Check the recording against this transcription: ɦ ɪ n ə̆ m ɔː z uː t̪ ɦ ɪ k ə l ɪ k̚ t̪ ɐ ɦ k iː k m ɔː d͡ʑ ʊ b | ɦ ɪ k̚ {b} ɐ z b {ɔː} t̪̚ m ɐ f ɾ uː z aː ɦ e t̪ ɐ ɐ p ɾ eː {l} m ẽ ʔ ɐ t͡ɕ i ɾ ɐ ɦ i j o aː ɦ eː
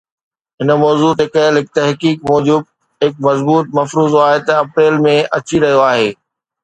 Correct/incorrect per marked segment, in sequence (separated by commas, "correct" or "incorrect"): incorrect, incorrect, correct